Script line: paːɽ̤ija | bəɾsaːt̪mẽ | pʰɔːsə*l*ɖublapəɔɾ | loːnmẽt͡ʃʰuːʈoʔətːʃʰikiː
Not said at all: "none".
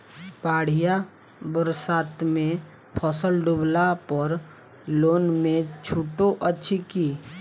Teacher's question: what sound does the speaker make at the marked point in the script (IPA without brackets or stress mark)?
l